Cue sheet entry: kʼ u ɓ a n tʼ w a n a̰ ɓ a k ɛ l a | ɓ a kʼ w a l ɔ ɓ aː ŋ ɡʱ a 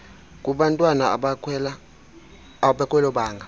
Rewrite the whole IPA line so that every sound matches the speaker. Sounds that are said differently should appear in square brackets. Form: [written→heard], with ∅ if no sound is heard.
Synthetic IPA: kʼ u ɓ a n tʼ w a n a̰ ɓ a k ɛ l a | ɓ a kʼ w [a→ɛ] l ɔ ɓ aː ŋ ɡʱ a

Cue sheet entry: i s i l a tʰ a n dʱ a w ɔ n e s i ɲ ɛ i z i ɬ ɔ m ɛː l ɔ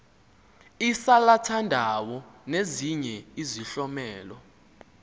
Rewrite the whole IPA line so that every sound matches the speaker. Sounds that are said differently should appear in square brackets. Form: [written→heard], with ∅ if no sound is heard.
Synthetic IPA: i s [i→a] l a tʰ a n dʱ a w ɔ n e [s→z] i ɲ ɛ i z i ɬ ɔ m ɛː l ɔ

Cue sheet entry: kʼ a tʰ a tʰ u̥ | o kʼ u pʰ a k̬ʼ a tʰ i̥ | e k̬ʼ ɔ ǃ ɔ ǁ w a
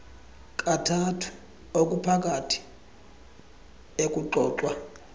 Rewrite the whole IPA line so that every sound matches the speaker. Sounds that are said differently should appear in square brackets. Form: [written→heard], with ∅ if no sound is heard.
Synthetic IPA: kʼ a tʰ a tʰ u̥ | o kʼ u pʰ a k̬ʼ a tʰ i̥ | e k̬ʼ [ɔ→u] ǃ [ɔ→ɔː] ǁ w a

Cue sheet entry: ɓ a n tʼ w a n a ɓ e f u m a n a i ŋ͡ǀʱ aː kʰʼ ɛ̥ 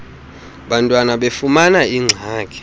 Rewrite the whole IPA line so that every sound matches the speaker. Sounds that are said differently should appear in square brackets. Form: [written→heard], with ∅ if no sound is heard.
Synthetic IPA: ɓ a n tʼ w a n a ɓ e f u m a n a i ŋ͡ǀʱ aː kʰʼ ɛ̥

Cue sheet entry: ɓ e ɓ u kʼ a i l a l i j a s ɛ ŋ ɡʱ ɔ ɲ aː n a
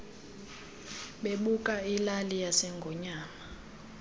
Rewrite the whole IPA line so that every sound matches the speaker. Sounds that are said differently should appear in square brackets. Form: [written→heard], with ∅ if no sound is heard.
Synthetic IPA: ɓ e ɓ u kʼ a i l a l i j a s ɛ ŋ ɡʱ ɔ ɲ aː [n→m] a

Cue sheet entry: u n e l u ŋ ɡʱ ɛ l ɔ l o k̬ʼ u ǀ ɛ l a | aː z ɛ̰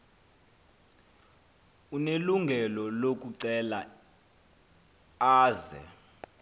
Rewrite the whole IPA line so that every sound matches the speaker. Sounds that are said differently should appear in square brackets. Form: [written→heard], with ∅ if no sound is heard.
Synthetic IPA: u n e l u ŋ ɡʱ ɛ l ɔ l o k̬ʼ u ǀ ɛ l a | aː z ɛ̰

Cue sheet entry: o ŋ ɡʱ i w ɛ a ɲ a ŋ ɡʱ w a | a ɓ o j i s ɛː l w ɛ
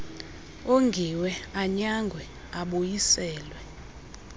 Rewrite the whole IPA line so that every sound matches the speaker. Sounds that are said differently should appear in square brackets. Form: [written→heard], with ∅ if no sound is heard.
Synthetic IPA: o ŋ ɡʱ i w ɛ a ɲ a ŋ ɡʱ w [a→ɛ] | a ɓ o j i s ɛː l w ɛ

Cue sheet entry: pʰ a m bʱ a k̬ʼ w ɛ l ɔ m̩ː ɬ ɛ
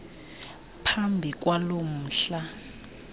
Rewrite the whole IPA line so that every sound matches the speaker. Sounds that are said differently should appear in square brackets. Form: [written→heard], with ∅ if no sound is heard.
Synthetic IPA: pʰ a m bʱ [a→i] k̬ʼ w [ɛ→a] l [ɔ→o] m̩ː ɬ [ɛ→a]

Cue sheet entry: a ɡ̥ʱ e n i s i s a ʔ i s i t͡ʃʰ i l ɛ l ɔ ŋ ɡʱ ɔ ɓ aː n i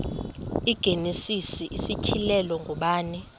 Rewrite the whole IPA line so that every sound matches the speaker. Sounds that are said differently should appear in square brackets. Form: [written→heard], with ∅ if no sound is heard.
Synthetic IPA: [a→i] ɡ̥ʱ e n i s i s [a→i] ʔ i s i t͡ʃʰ i l ɛ l ɔ ŋ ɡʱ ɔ ɓ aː n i

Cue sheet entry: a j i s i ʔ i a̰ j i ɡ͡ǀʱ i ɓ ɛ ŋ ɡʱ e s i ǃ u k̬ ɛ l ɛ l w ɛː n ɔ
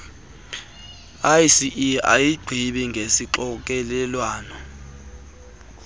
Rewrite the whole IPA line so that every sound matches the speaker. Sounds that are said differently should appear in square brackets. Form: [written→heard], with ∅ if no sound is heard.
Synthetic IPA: a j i s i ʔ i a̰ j i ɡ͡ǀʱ i ɓ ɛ ŋ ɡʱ e s i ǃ [u→ɔ] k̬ ɛ l ɛ l w [ɛː→aː] n ɔ

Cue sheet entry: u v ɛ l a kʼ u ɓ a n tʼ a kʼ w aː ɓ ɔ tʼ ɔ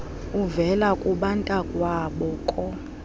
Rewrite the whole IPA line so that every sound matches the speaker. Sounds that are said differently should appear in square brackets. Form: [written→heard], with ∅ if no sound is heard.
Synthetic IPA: u v ɛ l a kʼ u ɓ a n tʼ a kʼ w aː ɓ ɔ [tʼ→kʼ] ɔ

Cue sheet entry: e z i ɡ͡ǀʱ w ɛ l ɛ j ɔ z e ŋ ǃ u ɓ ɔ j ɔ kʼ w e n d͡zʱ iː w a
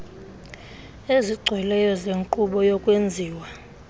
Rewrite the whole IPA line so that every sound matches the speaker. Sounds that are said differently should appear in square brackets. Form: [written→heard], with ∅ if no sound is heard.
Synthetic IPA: e z i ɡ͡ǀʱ w ɛ l ɛ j ɔ z e ŋ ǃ u ɓ ɔ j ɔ kʼ w e n d͡zʱ iː w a

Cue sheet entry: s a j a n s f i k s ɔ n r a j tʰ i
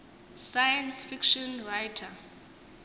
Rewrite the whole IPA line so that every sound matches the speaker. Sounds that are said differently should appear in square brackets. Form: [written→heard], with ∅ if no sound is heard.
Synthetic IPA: s a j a n s f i k [s→ʃ] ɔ n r a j tʰ [i→a]

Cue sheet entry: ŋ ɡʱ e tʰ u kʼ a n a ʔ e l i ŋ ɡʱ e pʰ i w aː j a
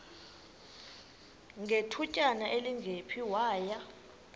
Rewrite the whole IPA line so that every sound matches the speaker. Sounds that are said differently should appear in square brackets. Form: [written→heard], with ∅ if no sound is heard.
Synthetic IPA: ŋ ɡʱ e tʰ u [kʼ→cʼ] a n a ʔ e l i ŋ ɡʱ e pʰ i w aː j a

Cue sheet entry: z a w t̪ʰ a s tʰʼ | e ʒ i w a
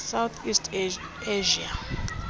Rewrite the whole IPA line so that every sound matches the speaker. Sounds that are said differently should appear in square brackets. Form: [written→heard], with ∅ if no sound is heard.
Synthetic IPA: [z→s] a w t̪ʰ [a→i] s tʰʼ | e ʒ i [w→∅] a

